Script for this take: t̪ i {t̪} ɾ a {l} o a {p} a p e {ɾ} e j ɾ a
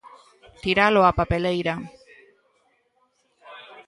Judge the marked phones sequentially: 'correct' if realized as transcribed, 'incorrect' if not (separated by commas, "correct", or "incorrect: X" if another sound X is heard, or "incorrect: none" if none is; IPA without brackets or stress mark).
incorrect: none, correct, correct, incorrect: l